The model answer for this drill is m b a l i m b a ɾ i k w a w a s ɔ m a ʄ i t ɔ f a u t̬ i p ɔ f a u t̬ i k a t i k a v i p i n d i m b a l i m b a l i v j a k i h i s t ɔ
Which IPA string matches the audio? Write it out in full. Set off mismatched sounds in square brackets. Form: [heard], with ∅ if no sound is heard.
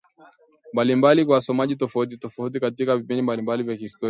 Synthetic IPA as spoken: m b a l i m b a [l] i k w a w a s ɔ m a ʄ i t ɔ f a u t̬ i [t] ɔ f a u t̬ i k a t i k a v i p i n d i m b a l i m b a l i v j a k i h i s t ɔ

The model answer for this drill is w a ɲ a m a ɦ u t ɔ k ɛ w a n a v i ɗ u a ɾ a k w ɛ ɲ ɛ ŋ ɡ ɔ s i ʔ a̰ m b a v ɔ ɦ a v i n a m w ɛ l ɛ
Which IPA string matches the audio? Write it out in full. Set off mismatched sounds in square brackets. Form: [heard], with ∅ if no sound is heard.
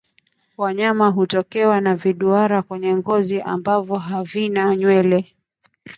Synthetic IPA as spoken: w a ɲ a m a ɦ u t ɔ k ɛ w a n a v i ɗ u a ɾ a k w ɛ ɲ ɛ ŋ ɡ ɔ [z] i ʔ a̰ m b a v ɔ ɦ a v i n a [ɲ] w ɛ l ɛ

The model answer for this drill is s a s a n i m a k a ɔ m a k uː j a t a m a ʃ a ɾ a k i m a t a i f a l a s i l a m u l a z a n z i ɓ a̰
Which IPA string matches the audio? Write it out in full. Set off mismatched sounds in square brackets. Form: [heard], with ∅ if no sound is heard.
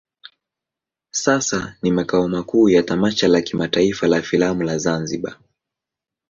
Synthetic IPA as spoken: s a s a n i m a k a ɔ m a k uː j a t a m a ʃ a [l] a k i m a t a i f a l a [f] i l a m u l a z a n z i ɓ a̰

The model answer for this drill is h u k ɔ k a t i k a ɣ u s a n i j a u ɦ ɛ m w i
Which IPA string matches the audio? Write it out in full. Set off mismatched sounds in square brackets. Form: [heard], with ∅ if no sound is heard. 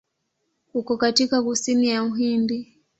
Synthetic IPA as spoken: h u k ɔ k a t i k a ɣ u s [i] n i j a u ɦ [i] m [b] i

